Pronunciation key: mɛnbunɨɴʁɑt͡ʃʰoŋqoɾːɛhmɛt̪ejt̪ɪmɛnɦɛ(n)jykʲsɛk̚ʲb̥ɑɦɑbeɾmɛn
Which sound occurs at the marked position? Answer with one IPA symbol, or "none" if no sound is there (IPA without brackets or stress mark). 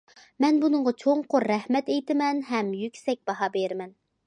m